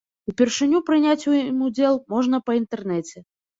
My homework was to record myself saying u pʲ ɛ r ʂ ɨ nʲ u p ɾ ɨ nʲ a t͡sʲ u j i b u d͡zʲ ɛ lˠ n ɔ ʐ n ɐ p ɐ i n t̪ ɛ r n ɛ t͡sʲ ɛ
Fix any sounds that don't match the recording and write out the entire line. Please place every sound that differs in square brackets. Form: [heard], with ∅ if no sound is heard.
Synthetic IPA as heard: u pʲ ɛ r ʂ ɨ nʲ u p ɾ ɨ nʲ a t͡sʲ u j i [m] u d͡zʲ ɛ lˠ [m] ɔ ʐ n ɐ p ɐ i n t̪ ɛ r n ɛ t͡sʲ ɛ